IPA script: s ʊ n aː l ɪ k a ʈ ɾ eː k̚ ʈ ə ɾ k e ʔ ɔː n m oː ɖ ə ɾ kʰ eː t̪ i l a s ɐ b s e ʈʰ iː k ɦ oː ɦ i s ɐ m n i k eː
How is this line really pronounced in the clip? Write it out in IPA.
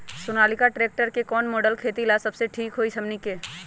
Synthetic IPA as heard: s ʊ n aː l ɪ k a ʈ ɾ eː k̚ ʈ ə ɾ k e k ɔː n m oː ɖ ə l kʰ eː t̪ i l a s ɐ b s e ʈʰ iː k ɦ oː i s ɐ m n i k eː